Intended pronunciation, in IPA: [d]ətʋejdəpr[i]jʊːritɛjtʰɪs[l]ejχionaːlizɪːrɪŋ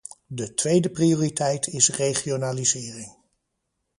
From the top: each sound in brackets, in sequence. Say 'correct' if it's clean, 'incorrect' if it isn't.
correct, correct, incorrect: r

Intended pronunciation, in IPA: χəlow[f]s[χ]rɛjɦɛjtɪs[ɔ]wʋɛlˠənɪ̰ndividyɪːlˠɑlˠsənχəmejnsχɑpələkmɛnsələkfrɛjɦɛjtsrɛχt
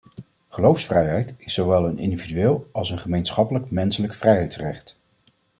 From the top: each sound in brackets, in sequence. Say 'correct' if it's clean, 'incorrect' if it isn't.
correct, incorrect: f, incorrect: o

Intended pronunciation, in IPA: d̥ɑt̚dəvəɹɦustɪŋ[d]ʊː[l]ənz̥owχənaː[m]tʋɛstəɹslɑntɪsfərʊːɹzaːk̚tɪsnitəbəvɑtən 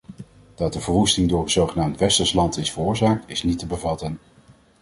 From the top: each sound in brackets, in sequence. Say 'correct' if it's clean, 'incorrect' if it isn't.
correct, incorrect: ɹ, correct

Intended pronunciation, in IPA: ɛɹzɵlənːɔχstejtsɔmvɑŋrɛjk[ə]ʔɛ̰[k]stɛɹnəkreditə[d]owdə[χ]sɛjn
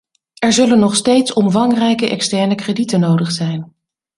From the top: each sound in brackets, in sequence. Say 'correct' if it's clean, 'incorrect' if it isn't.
correct, correct, incorrect: n, correct

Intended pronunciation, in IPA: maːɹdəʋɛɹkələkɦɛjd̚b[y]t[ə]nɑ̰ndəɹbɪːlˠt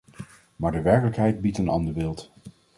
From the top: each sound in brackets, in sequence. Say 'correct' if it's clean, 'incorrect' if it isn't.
incorrect: i, correct

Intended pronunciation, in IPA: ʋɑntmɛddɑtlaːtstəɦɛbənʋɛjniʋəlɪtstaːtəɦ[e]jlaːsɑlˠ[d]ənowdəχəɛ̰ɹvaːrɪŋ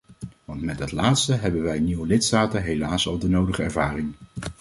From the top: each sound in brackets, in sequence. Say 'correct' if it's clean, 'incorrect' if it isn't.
correct, correct

